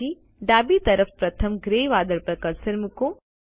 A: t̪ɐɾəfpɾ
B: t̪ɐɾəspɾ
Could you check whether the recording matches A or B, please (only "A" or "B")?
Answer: A